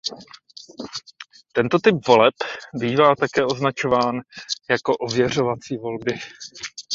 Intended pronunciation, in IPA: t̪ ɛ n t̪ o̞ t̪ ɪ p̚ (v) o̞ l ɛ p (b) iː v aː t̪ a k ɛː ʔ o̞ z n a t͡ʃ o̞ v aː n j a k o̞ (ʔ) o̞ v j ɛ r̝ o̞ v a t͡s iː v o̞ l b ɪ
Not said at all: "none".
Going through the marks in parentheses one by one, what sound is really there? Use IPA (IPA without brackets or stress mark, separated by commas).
v, b, ʔ